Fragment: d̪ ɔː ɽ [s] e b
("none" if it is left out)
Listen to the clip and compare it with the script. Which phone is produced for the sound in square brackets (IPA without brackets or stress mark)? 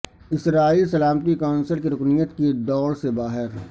s